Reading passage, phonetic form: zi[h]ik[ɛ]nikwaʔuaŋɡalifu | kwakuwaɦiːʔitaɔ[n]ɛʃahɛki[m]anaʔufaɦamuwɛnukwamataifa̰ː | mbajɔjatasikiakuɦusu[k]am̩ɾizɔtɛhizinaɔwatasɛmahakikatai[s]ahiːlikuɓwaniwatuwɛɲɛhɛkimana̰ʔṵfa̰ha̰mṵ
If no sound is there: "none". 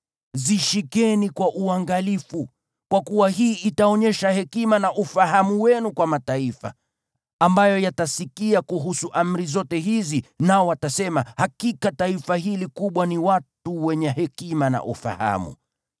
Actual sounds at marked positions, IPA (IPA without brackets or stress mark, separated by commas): ʃ, ɛ, ɲ, m, ʔ, f